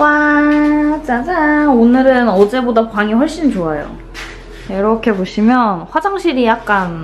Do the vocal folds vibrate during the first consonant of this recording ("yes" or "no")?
yes